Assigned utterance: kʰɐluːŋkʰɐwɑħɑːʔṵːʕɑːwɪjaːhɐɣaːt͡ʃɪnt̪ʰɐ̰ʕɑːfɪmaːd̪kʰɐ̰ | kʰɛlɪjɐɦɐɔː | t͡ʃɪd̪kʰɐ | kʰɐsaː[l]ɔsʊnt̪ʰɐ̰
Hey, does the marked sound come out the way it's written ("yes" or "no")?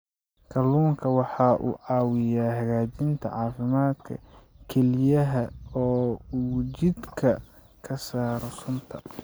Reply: no